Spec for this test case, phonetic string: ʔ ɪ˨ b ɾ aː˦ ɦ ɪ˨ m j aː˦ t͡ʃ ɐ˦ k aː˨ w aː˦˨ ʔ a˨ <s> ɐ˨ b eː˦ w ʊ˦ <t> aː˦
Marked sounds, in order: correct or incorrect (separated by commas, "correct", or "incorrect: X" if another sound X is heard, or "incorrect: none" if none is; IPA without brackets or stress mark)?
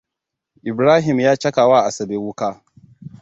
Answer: correct, incorrect: k